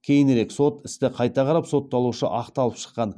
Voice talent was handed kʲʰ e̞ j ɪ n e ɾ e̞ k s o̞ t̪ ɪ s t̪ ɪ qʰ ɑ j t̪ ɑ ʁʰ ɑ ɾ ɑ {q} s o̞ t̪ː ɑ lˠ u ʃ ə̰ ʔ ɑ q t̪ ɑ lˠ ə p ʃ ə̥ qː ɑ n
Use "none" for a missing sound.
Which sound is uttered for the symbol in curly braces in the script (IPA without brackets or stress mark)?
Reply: p